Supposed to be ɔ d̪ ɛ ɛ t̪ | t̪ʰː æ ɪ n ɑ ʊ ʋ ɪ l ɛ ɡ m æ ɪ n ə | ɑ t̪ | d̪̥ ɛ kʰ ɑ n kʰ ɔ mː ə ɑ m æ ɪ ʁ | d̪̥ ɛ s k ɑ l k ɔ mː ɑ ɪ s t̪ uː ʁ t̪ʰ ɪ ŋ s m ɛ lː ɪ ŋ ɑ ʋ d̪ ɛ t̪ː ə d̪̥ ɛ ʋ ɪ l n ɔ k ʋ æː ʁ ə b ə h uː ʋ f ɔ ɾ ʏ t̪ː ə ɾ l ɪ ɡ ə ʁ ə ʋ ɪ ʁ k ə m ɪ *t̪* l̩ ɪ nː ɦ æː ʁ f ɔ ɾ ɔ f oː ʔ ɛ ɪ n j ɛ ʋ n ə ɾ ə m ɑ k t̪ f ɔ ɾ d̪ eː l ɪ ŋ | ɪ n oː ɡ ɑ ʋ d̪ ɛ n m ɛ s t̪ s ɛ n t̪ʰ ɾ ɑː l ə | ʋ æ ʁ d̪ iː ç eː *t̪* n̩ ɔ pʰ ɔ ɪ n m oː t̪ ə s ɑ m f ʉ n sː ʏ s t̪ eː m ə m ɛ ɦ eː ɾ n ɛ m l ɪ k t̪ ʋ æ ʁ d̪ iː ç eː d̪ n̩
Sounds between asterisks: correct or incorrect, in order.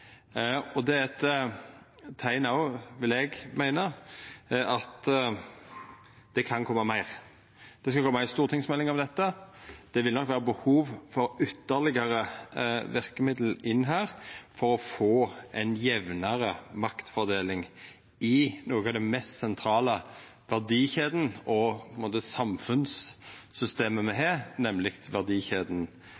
incorrect: d̪, incorrect: d̪

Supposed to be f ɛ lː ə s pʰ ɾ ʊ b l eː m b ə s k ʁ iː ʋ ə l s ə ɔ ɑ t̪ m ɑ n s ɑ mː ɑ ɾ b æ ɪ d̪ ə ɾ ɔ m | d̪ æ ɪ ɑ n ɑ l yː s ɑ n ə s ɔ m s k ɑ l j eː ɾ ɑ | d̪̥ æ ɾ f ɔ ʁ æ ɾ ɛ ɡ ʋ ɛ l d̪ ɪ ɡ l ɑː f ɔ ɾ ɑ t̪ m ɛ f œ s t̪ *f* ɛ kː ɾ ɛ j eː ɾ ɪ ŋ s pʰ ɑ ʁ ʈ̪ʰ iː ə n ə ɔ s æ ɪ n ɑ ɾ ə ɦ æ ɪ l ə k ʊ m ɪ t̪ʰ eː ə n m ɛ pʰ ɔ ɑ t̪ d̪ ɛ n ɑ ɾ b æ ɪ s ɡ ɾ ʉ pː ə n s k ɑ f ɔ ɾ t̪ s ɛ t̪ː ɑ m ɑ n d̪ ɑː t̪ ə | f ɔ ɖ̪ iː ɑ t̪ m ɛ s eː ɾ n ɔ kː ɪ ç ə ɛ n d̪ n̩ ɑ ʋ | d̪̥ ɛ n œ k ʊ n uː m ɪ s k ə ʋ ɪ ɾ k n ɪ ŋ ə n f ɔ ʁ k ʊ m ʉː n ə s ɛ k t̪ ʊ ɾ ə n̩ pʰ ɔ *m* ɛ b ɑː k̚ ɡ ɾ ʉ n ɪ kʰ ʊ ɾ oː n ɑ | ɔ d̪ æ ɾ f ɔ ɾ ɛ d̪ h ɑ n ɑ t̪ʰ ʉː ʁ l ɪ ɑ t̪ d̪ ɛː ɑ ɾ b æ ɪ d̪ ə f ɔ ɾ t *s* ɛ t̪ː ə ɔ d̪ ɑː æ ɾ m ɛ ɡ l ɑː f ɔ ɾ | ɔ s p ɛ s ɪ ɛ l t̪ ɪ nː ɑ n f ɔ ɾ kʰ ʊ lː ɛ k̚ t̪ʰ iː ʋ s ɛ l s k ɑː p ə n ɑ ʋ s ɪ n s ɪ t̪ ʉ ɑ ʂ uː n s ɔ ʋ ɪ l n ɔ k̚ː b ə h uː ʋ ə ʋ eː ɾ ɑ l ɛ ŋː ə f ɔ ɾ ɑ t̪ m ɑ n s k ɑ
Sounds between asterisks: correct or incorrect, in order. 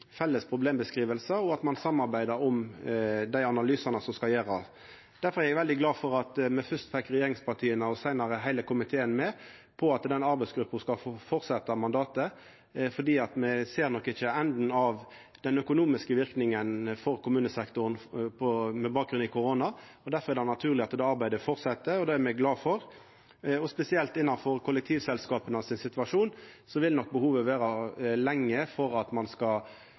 correct, correct, correct

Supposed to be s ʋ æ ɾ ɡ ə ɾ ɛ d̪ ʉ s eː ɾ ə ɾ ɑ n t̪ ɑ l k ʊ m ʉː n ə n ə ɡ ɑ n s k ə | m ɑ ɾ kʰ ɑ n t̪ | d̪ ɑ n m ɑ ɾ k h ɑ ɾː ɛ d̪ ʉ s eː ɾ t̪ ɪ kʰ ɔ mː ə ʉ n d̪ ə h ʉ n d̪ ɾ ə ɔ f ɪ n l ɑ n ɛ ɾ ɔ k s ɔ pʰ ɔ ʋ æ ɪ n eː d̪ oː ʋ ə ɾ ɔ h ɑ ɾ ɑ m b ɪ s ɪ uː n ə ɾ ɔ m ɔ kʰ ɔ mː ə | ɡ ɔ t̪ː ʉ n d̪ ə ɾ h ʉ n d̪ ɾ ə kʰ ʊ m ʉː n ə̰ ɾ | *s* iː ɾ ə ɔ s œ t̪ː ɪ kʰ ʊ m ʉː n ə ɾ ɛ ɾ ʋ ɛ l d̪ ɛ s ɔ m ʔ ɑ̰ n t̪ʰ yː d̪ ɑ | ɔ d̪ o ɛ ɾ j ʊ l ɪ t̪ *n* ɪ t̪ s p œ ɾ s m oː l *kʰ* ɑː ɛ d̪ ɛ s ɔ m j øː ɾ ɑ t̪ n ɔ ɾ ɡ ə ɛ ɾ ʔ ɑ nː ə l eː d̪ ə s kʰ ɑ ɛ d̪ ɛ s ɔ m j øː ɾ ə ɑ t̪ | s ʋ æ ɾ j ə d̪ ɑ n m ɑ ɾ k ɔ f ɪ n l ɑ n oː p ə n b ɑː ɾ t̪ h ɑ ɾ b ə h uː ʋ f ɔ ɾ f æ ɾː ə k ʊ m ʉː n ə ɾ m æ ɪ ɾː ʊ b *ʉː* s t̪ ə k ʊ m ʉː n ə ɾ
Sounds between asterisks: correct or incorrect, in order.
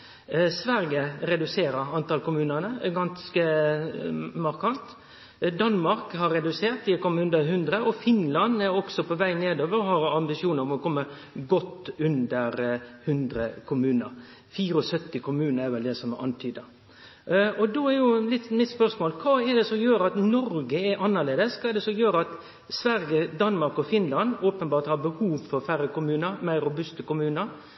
incorrect: f, incorrect: m, correct, incorrect: ʉ

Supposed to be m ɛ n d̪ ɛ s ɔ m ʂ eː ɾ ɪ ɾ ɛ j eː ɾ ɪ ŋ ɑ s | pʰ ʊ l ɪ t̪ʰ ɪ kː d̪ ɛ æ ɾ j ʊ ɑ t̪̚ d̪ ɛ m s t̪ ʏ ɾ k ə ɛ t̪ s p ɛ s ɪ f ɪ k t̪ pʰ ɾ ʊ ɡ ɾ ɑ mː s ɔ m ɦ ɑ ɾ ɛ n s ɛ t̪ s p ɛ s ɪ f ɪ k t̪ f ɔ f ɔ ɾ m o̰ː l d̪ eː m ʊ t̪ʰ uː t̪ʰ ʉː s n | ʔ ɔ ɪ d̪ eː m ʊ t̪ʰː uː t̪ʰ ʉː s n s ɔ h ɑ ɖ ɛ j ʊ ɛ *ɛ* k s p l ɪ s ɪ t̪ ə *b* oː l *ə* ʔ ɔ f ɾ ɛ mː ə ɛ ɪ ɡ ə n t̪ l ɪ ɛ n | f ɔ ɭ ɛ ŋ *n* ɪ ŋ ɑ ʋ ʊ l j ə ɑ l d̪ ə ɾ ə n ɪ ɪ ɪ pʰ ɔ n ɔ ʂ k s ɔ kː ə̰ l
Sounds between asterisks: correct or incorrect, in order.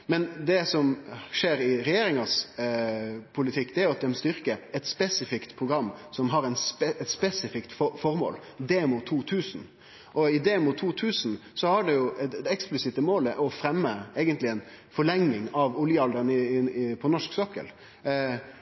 correct, incorrect: m, correct, correct

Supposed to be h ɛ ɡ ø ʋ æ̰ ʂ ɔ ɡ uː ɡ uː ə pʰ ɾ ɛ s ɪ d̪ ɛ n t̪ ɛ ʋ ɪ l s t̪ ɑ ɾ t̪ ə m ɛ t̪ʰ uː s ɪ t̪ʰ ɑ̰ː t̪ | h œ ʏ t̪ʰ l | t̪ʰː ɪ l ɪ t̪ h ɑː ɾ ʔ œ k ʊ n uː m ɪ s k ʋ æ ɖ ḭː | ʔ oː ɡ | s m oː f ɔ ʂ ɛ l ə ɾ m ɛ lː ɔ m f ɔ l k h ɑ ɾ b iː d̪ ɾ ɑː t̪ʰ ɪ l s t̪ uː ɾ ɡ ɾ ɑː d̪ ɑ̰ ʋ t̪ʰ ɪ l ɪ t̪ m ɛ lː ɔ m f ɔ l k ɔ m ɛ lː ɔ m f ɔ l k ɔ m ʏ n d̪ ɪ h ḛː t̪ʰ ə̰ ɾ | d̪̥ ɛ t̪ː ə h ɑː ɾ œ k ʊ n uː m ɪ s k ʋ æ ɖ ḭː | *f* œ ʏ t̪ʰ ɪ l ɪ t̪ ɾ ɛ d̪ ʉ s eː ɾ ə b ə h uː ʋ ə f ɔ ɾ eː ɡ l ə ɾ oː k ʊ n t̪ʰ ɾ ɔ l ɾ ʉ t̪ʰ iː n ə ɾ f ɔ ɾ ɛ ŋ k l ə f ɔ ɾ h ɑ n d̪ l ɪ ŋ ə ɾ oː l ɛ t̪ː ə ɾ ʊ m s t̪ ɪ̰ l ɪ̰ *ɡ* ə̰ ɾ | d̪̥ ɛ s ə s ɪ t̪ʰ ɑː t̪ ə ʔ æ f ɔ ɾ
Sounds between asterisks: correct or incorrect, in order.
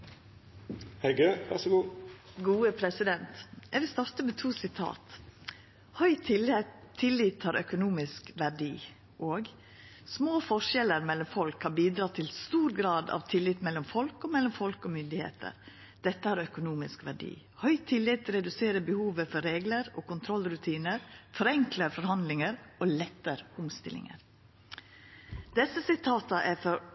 incorrect: h, incorrect: ŋ

